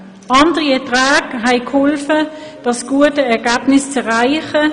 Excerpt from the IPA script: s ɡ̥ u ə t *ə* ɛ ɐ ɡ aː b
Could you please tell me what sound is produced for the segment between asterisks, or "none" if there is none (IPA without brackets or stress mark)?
ə